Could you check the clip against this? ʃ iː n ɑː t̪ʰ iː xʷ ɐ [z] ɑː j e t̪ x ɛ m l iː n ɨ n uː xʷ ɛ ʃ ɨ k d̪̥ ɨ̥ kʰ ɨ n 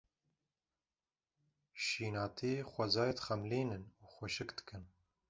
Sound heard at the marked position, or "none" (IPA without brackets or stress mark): z